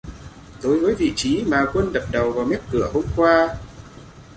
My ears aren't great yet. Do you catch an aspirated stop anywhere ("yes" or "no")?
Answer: no